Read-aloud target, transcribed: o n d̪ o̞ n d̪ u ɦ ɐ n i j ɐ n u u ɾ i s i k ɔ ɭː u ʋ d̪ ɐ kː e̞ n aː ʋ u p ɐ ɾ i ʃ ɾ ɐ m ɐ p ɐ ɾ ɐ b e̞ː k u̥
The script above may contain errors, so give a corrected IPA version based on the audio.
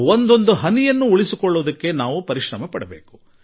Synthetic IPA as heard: o n d̪ o̞ n d̪ u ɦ ɐ n i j ɐ nː u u ɭ i s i k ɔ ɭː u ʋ d̪ ɐ kː e̞ n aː ʋ u p ɐ ɾ i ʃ ɾ ɐ m ɐ p ɐ ɽ ɐ b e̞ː k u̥